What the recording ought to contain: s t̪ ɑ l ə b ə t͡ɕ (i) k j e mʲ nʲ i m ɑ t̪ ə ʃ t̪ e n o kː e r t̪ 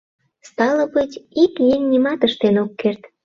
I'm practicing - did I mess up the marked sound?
no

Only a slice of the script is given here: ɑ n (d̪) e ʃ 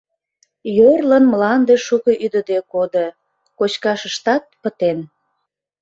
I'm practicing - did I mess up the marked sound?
no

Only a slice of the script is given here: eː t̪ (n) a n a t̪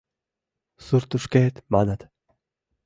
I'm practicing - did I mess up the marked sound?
yes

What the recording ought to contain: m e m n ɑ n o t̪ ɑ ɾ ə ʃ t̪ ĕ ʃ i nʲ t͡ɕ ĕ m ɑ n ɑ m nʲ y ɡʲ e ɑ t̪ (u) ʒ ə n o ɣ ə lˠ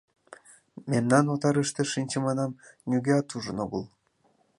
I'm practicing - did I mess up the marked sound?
no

